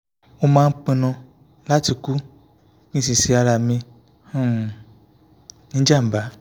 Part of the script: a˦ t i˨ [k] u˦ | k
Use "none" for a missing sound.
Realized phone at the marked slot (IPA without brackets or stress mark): k